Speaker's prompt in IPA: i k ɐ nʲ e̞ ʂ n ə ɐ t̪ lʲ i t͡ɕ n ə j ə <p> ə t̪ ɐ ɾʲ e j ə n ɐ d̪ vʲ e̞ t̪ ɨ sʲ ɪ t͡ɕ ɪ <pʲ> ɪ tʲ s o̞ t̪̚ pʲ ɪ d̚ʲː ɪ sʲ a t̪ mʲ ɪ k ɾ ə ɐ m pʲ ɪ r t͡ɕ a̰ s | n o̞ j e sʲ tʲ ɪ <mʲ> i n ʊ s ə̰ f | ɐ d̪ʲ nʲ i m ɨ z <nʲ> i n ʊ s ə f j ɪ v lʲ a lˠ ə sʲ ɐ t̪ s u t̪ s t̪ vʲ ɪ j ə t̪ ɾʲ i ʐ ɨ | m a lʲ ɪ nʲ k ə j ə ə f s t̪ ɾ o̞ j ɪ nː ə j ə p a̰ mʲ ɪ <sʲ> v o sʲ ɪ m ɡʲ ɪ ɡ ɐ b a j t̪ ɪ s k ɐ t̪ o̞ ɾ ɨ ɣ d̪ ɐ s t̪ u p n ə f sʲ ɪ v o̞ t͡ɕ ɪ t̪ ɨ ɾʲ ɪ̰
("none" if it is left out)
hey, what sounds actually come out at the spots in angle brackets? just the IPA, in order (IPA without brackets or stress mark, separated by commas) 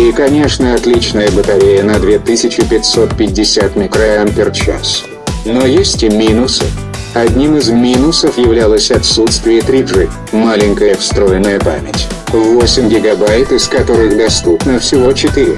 b, pʲ, mʲ, mʲ, tʲ